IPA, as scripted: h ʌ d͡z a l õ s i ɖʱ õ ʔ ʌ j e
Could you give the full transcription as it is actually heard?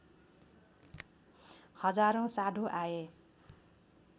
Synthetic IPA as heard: h ʌ d͡z a ɾ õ s a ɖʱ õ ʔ a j e